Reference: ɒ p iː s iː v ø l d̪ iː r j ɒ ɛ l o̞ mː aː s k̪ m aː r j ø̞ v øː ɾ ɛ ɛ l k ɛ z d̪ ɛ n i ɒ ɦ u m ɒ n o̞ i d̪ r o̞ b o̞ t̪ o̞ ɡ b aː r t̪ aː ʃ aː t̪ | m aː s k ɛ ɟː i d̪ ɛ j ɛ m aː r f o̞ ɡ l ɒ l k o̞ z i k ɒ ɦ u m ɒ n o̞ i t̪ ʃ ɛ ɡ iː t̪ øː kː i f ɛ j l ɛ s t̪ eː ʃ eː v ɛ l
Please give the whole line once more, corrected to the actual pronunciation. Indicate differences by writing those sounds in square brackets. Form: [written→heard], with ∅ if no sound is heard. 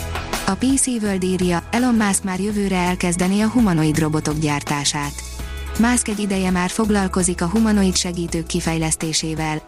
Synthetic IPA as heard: ɒ p iː s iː v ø l d̪ iː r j ɒ ɛ l o̞ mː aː s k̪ m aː r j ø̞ v øː ɾ ɛ ɛ l k ɛ z d̪ ɛ n i ɒ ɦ u m ɒ n o̞ i d̪ r o̞ b o̞ t̪ o̞ ɡ [b→ɟ] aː r t̪ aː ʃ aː t̪ | m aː s k ɛ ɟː i d̪ ɛ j ɛ m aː r f o̞ ɡ l ɒ l k o̞ z i k ɒ ɦ u m ɒ n o̞ i t̪ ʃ ɛ ɡ iː t̪ øː kː i f ɛ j l ɛ s t̪ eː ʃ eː v ɛ l